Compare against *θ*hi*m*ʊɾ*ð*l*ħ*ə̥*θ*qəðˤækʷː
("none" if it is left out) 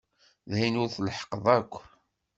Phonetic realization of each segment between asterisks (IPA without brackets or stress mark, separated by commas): ð, n, θ, ħ, none